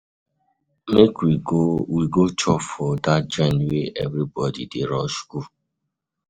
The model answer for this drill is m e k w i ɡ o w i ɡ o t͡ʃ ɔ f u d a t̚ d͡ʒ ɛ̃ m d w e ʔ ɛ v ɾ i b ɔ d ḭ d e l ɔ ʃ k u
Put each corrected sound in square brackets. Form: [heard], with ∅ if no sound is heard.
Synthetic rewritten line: m e k w i ɡ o w i ɡ o t͡ʃ ɔ f [ɔ] d a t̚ d͡ʒ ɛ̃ [n] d w e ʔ ɛ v ɾ i b ɔ d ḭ d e [ɾ] ɔ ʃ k u

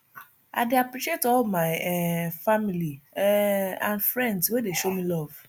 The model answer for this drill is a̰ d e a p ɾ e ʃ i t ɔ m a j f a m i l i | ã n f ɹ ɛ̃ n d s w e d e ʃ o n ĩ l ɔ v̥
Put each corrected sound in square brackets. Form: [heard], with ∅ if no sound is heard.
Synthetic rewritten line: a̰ d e a p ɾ [i] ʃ [e] t ɔ m a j f a m i l i | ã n f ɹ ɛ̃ n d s w e d e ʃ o [m] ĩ l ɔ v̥

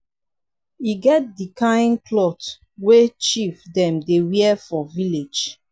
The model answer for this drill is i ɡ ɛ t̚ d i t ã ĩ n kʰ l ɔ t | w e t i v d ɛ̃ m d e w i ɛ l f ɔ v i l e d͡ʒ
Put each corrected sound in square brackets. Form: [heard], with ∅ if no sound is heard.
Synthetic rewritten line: i ɡ ɛ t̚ d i [k] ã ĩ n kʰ l ɔ t | w e [t͡ʃ] i [f] d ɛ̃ m d e w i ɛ [∅] f ɔ v i l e d͡ʒ

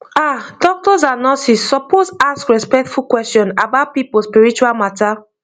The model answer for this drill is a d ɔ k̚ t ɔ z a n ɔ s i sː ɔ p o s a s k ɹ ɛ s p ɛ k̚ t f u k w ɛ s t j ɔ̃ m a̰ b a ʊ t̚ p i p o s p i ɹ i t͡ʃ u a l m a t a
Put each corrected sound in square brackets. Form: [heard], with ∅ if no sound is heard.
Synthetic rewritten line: a d ɔ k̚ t ɔ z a n ɔ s i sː ɔ p o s a s k ɹ ɛ s p ɛ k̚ t f u k w ɛ s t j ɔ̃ [n] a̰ b a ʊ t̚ p i p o s p i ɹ i t͡ʃ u a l m a t a

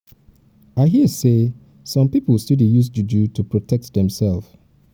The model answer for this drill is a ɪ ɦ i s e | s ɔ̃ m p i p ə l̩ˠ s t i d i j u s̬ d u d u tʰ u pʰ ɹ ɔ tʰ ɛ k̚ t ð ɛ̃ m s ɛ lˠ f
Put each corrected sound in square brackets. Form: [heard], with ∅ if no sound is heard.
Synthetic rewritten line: a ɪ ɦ i s e | s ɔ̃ m p i p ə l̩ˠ s t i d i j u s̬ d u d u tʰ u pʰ ɹ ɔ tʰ ɛ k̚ t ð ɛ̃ m s ɛ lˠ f

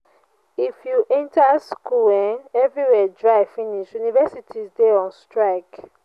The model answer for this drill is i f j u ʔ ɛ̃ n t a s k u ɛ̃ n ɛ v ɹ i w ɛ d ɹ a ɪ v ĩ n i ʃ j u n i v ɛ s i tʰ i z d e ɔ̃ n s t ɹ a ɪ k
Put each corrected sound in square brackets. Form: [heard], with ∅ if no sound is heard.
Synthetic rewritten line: i f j u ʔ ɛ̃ n t a s k u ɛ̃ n ɛ v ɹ i w ɛ d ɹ a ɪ [f] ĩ n i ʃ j u n i v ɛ s i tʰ i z d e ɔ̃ n s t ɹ a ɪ k

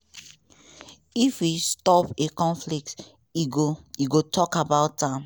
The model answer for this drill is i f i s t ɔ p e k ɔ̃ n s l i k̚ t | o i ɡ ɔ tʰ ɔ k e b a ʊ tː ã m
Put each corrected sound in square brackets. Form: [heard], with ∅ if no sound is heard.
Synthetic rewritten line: i f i s t ɔ p e k ɔ̃ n [f] l i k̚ t | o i ɡ [o] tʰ ɔ k [a] b a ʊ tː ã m

